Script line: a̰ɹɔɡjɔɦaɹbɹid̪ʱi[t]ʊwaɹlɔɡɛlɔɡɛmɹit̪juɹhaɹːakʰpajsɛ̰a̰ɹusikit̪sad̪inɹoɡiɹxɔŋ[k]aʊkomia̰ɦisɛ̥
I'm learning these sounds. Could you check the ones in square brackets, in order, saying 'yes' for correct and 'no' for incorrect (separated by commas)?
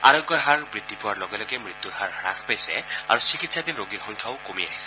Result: no, no